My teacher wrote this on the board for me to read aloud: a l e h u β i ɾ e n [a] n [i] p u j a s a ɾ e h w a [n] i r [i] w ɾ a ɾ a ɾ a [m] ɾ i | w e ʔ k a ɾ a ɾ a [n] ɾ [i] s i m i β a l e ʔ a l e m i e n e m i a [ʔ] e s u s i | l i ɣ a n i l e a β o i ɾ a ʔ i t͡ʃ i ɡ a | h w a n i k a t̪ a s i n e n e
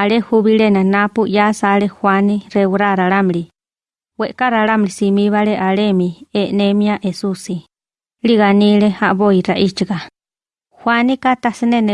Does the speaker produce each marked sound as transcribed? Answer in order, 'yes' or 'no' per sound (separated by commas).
yes, no, yes, no, yes, no, yes, yes